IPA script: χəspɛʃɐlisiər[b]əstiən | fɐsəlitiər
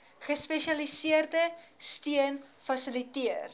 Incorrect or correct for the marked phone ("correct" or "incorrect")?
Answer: incorrect